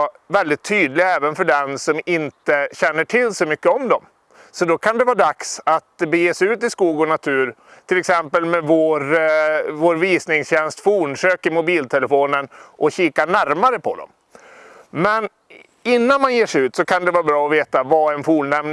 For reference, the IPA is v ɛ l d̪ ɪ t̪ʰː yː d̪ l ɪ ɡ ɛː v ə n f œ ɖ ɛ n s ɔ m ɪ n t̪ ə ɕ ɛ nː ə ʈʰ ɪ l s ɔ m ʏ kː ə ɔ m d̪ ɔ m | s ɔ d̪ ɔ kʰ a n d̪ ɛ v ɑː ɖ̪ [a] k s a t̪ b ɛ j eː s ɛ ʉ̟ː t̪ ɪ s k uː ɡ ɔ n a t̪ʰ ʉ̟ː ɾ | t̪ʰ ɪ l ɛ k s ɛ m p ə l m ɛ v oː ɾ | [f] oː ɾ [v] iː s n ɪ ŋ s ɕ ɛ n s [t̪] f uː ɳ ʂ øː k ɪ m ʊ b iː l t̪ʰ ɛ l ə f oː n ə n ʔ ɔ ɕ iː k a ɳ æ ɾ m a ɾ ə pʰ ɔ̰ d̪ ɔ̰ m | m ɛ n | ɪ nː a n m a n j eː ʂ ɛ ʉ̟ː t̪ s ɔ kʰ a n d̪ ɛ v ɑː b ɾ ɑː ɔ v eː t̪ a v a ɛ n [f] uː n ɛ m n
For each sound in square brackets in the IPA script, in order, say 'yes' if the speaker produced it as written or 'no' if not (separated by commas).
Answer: yes, no, yes, yes, yes